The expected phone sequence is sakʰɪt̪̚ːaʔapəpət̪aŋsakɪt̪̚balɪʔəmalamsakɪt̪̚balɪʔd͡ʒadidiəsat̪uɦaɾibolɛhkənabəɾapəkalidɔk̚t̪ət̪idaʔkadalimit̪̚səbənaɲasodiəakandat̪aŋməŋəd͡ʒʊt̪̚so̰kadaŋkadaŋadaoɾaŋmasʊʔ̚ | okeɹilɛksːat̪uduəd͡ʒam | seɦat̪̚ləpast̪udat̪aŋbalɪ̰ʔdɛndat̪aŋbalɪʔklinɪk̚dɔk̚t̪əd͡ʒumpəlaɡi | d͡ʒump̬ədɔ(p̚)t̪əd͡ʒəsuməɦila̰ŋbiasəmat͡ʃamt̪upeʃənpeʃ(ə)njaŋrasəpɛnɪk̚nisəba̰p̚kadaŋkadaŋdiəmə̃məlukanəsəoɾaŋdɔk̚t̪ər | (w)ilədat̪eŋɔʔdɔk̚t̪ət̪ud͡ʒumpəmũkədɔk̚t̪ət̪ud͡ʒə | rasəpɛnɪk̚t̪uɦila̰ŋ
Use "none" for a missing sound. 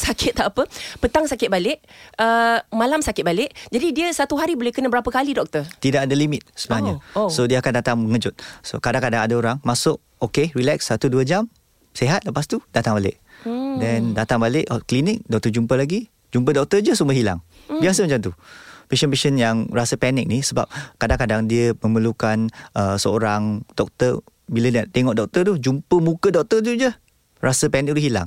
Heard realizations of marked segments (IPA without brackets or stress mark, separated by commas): k̚, ə, b